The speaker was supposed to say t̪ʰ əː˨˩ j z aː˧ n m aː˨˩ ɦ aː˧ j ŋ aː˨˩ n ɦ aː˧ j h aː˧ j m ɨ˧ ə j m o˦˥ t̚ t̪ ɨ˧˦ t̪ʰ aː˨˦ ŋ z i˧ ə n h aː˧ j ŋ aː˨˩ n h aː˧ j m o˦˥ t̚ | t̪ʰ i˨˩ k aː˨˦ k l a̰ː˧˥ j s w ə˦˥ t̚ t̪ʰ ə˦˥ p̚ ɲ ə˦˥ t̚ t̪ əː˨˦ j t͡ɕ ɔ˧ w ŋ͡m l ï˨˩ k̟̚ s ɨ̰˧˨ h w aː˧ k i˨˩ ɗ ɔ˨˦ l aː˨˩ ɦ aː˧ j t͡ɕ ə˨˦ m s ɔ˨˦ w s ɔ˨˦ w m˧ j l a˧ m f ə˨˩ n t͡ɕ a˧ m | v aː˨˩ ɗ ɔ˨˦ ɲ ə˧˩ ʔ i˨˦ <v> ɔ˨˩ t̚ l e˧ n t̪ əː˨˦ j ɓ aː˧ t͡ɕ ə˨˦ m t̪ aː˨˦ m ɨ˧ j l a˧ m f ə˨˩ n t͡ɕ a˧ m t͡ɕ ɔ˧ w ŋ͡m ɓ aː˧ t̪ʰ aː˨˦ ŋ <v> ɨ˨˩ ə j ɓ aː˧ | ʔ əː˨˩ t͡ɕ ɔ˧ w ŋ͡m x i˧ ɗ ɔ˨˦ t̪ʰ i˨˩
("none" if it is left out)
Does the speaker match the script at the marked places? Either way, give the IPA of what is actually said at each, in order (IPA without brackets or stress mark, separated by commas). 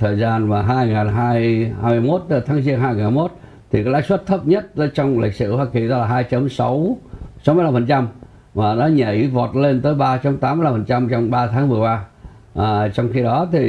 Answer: v, v